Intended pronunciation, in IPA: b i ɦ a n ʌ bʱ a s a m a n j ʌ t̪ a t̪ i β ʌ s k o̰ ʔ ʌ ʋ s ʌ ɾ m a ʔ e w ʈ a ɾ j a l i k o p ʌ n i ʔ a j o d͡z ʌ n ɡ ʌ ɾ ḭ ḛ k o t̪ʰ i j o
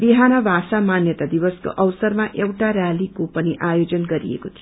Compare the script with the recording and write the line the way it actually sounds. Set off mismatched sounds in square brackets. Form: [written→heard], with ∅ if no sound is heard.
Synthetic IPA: b i ɦ a n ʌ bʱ a s a m a n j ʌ t̪ a [t̪→d̪] i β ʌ s k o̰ ʔ ʌ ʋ s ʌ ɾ m a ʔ e w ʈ a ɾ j a l i k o p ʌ n i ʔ a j o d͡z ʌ n ɡ ʌ ɾ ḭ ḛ k o t̪ʰ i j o